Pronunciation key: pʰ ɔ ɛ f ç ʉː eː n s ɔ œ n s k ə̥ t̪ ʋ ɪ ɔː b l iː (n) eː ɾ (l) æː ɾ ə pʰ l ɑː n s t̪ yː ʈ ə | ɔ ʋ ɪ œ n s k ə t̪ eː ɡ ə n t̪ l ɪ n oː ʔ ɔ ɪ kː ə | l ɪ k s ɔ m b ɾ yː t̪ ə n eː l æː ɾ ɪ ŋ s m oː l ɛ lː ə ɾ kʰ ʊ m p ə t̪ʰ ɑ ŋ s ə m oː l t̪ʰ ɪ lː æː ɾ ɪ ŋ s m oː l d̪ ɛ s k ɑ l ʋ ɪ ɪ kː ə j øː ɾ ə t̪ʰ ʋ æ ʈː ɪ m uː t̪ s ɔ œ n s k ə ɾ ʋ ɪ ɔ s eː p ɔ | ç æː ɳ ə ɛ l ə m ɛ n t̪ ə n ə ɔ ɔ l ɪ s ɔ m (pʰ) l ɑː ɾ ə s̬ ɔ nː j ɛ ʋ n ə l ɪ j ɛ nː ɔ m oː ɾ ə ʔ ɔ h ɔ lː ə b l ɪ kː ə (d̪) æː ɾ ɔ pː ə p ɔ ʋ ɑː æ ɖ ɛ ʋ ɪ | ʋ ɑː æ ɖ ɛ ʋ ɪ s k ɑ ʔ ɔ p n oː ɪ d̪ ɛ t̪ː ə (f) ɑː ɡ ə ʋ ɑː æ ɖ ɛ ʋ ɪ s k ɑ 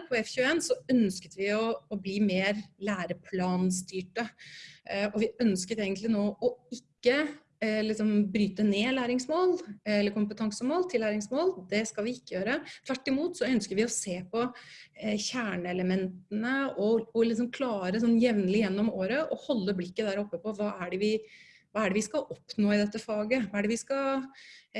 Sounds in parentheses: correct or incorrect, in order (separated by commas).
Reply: incorrect, correct, incorrect, correct, correct